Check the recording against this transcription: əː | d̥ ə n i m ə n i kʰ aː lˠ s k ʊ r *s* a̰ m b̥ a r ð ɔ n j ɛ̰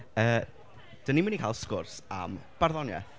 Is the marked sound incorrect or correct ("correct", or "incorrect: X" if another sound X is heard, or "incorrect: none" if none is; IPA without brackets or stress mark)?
correct